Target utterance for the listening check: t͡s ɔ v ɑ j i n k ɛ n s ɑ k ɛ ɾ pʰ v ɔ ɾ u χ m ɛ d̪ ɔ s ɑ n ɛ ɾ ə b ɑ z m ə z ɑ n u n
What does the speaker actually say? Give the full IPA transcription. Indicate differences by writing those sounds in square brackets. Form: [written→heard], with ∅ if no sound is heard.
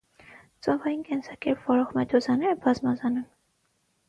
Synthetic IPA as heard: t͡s ɔ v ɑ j i n k ɛ n s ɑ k ɛ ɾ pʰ v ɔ ɾ [u→ɔ] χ m ɛ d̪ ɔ [s→z] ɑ n ɛ ɾ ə b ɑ z m [ə→ɑ] z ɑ n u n